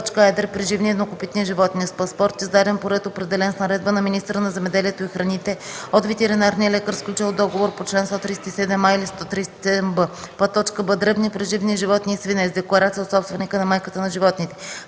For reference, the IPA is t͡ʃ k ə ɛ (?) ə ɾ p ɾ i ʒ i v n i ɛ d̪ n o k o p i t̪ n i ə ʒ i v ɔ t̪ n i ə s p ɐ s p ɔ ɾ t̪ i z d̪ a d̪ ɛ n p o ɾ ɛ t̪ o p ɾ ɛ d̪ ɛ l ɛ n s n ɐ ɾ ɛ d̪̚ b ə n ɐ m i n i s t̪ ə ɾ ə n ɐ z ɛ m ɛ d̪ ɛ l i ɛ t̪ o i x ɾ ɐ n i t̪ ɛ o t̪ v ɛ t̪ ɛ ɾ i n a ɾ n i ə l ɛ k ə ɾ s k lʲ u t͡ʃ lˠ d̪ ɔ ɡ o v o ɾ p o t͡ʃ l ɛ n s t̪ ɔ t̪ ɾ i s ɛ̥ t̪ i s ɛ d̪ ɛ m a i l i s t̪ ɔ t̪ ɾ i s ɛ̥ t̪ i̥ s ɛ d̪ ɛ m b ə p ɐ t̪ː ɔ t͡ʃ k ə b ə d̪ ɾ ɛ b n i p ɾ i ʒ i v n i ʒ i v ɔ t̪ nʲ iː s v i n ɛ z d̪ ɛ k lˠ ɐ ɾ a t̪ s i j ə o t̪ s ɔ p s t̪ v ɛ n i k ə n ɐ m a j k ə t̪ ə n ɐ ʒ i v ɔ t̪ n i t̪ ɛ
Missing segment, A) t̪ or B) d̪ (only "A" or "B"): B